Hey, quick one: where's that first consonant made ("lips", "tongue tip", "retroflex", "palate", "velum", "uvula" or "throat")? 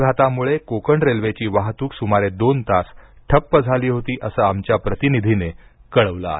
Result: velum